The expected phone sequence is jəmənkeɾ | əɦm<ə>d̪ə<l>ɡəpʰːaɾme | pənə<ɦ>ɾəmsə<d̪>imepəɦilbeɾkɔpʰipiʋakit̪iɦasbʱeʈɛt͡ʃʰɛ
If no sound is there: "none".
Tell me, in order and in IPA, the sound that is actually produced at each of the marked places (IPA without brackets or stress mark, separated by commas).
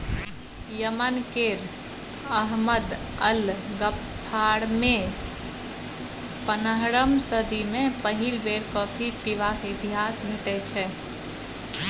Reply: ə, l, ɦ, d̪